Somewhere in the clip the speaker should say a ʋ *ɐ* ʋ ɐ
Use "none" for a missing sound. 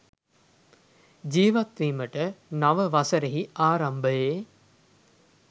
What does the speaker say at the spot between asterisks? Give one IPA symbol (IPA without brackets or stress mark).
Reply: ə